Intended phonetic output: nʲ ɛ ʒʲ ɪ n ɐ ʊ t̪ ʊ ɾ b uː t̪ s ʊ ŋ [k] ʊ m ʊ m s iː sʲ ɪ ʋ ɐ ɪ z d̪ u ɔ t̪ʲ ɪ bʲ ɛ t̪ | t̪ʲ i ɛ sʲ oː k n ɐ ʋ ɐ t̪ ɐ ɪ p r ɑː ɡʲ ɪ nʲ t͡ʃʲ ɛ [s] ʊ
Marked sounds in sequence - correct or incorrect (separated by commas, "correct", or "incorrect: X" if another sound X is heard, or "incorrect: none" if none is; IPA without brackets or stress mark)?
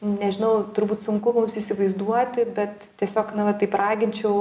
correct, incorrect: none